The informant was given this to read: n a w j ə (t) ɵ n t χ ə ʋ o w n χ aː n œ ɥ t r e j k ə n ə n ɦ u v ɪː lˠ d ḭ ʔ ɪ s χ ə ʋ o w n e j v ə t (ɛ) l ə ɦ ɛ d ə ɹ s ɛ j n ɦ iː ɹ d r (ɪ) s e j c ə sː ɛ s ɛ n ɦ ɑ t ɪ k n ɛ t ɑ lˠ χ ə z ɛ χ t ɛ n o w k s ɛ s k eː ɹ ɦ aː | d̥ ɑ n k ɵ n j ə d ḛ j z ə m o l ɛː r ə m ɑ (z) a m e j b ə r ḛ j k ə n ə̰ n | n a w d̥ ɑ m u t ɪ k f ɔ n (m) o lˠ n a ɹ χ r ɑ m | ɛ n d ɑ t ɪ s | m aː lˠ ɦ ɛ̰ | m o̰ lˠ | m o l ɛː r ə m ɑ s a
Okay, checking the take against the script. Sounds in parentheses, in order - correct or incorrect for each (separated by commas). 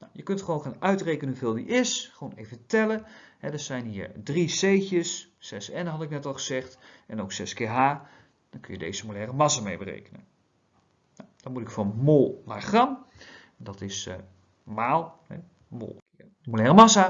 incorrect, correct, incorrect, incorrect, correct